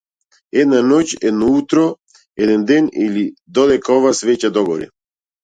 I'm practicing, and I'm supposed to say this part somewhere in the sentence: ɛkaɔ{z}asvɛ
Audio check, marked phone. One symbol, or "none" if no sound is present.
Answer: v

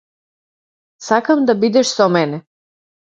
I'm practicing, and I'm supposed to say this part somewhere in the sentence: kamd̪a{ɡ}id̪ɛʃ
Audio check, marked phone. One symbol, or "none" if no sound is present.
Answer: b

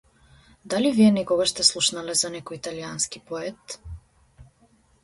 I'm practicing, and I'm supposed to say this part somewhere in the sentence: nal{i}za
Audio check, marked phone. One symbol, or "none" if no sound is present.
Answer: ɛ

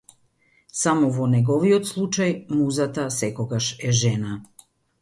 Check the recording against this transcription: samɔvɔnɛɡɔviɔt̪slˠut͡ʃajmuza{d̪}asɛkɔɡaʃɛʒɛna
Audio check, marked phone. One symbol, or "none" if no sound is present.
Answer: t̪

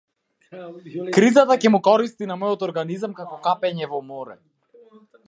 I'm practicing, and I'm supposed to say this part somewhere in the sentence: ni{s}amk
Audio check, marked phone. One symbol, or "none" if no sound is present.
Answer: z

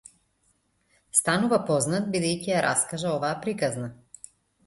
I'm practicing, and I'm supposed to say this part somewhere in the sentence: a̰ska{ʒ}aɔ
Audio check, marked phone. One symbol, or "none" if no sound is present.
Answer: ʒ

